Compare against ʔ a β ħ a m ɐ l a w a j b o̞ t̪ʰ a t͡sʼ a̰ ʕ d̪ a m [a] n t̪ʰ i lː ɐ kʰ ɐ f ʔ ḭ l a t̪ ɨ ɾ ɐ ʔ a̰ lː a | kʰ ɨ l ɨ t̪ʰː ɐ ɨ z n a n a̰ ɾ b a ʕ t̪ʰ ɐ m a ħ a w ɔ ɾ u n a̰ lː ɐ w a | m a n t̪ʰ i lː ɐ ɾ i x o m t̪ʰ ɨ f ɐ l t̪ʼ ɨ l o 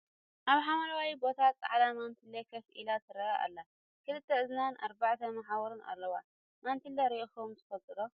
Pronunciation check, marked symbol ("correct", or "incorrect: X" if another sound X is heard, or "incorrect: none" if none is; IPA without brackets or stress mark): correct